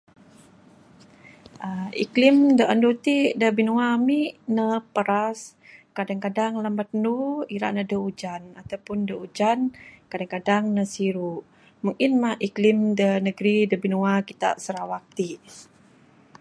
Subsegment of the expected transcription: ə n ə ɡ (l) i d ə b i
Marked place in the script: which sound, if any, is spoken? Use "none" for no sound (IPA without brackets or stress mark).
ɾ